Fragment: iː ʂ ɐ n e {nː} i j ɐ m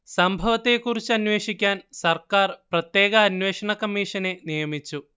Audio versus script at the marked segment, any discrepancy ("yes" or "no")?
yes